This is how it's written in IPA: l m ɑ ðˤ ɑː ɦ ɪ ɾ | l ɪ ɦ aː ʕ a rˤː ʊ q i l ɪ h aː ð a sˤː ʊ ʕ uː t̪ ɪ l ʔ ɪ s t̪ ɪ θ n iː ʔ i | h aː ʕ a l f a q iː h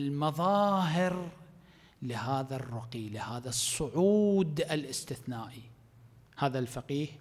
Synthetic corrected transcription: l m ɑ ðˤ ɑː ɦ ɪ ɾ | l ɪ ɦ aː ð a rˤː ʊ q i l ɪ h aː ð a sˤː ʊ ʕ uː d̪ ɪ l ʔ ɪ s t̪ ɪ θ n aː ʔ i | h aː ð a l f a q iː h